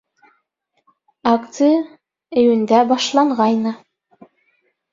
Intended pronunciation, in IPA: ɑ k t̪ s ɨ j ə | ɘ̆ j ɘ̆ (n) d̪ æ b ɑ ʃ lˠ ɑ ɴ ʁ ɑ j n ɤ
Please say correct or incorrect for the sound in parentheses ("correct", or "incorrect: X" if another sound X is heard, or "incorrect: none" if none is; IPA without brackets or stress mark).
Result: correct